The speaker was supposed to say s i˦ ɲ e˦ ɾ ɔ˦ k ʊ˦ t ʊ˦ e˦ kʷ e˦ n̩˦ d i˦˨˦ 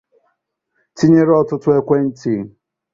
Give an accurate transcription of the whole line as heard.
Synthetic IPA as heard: t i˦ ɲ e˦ ɾ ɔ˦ t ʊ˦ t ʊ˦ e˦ kʷ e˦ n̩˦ t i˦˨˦